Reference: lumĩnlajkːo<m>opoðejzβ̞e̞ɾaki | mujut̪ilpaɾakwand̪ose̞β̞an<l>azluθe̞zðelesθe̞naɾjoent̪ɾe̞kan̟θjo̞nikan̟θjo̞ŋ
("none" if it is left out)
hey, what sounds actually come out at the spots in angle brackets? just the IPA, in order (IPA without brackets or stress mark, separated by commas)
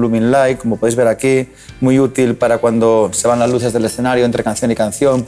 m, l